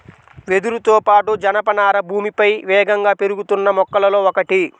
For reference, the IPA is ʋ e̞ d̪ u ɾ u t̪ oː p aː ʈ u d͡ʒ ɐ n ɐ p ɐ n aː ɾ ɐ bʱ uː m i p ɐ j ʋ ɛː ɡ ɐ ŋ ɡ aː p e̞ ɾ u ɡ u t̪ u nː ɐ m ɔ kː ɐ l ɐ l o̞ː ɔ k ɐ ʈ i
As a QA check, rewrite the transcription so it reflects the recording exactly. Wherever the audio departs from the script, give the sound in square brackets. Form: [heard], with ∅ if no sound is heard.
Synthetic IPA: ʋ e̞ d̪ u ɾ u t̪ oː p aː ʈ u d͡ʒ ɐ n ɐ p ɐ n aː ɾ ɐ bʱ uː m i p ɐ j ʋ ɛː ɡ ɐ ŋ ɡ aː p e̞ ɾ u ɡ u t̪ u nː ɐ m ɔ kː ɐ l ɐ l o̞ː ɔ k ɐ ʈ i